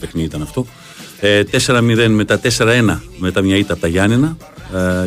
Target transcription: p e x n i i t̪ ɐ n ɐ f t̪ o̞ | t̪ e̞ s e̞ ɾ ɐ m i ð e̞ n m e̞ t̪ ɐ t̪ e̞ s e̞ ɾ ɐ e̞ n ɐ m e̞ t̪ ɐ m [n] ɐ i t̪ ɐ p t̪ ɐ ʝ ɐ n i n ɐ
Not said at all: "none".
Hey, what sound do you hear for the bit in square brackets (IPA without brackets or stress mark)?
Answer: ɲ